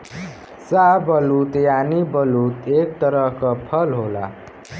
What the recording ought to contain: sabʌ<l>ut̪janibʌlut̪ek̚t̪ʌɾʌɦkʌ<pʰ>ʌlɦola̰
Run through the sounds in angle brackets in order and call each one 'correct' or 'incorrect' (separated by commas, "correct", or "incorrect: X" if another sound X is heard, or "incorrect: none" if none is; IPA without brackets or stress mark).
correct, correct